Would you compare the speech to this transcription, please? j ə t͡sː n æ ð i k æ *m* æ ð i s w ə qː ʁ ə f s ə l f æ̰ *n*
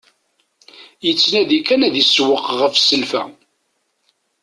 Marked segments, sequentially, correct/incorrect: incorrect, incorrect

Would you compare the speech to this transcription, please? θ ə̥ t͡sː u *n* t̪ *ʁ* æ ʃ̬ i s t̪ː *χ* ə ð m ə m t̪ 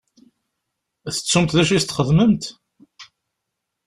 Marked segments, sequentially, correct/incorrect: incorrect, incorrect, correct

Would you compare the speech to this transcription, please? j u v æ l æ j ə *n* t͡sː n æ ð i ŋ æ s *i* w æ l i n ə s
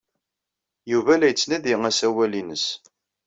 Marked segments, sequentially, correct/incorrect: incorrect, incorrect

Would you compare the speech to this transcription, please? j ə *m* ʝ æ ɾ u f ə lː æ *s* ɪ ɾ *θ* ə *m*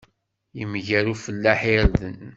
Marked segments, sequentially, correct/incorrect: correct, incorrect, incorrect, incorrect

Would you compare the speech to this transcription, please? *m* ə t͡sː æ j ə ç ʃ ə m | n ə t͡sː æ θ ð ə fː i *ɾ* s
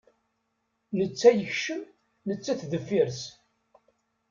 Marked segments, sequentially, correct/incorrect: incorrect, correct

